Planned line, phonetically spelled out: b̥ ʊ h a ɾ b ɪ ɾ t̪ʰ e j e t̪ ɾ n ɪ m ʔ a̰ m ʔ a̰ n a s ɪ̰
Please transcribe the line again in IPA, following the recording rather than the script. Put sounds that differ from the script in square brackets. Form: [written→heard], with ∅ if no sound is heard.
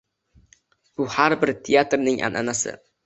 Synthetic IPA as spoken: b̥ ʊ h a ɾ b ɪ ɾ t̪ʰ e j [e→a] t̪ ɾ n ɪ [m→ŋ] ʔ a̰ [m→n] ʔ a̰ n a s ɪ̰